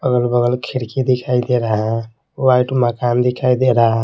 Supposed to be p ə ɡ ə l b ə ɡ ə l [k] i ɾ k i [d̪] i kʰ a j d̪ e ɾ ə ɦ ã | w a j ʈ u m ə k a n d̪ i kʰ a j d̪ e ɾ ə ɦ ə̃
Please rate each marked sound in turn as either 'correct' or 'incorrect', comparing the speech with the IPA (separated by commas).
incorrect, correct